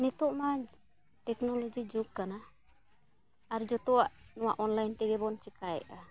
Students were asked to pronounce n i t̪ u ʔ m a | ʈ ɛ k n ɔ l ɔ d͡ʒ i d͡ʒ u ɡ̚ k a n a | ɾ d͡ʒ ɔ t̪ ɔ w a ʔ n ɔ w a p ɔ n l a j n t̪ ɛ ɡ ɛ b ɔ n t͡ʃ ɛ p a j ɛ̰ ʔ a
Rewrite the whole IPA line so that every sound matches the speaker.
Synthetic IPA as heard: n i t̪ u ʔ m a | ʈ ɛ k n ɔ l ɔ d͡ʒ i d͡ʒ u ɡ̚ k a n a | ɾ d͡ʒ ɔ t̪ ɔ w a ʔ n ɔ w a ʔ ɔ n l a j n t̪ ɛ ɡ ɛ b ɔ n t͡ʃ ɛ k a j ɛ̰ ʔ a